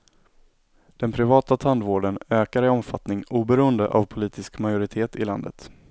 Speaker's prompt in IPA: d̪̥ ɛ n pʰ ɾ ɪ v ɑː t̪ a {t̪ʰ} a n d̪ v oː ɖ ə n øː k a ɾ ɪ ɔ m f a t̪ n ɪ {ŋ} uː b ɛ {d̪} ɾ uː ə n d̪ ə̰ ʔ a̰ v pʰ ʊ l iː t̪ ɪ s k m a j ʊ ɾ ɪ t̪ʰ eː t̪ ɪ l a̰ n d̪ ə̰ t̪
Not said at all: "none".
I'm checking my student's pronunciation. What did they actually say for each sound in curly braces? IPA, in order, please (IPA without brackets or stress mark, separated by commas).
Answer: t̪ʰ, ŋ, none